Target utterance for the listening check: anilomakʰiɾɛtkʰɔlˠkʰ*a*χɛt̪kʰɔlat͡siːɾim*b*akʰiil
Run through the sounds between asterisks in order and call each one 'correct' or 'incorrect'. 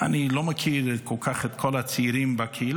correct, correct

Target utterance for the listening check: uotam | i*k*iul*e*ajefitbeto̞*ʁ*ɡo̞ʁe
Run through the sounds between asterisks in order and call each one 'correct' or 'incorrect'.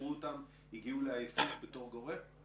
incorrect, correct, correct

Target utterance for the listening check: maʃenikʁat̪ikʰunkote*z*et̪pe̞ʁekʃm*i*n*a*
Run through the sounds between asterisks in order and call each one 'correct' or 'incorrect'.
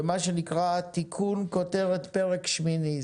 incorrect, correct, incorrect

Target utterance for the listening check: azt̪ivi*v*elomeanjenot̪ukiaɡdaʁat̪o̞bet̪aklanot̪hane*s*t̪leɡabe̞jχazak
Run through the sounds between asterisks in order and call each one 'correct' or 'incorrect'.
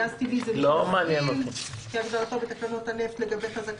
incorrect, incorrect

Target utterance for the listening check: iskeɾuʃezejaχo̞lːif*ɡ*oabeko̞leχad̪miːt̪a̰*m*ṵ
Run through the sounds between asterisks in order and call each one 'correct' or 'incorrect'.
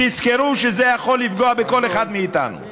correct, incorrect

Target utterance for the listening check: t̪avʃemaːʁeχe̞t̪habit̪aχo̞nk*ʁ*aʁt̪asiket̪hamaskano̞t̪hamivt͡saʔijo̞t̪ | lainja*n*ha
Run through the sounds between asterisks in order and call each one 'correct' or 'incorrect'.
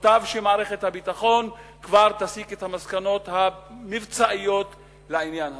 incorrect, correct

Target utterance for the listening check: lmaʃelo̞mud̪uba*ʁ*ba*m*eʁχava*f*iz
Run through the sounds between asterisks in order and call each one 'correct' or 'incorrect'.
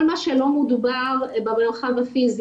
correct, correct, correct

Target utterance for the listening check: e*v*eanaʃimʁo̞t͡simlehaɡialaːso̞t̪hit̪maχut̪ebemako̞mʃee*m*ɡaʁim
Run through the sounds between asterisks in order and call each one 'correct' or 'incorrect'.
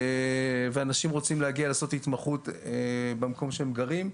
correct, correct

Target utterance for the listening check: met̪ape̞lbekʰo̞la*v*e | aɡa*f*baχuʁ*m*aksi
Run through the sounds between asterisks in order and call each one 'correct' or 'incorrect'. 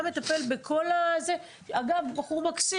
incorrect, incorrect, correct

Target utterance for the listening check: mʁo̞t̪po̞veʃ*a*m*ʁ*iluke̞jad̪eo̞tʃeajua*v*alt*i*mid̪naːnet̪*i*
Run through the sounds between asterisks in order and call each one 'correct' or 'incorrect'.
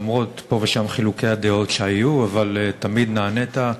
correct, incorrect, correct, incorrect, incorrect

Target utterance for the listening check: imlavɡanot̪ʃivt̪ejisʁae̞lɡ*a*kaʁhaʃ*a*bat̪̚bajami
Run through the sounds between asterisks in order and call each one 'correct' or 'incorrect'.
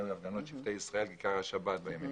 incorrect, correct

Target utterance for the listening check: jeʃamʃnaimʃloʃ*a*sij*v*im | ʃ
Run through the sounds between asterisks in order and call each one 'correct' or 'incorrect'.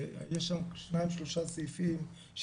correct, incorrect

